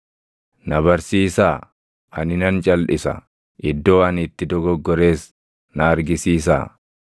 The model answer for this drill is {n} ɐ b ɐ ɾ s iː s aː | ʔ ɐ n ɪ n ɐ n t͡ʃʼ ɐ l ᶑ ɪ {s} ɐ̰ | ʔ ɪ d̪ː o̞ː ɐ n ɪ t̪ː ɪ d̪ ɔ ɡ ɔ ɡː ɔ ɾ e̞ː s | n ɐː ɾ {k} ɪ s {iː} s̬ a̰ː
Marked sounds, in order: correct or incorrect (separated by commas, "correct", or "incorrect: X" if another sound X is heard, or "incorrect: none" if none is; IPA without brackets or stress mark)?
correct, correct, incorrect: ɡ, correct